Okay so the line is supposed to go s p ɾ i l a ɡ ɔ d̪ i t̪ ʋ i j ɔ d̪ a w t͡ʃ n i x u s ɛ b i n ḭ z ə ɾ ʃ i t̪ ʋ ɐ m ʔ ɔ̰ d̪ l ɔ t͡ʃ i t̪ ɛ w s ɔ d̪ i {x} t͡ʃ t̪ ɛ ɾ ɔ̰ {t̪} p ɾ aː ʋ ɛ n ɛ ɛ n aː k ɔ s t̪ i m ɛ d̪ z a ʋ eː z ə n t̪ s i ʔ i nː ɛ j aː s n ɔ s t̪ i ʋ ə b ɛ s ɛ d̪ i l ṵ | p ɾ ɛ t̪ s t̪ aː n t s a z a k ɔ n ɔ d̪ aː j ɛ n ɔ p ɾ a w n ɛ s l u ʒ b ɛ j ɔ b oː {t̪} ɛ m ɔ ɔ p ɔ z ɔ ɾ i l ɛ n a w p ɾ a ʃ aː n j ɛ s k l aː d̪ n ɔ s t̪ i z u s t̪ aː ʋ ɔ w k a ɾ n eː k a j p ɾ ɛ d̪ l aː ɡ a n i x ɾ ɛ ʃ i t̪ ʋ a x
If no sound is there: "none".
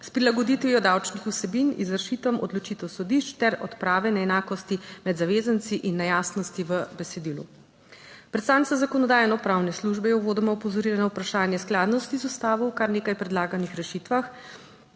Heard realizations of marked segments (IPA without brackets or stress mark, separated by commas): ʃ, t̪, d̪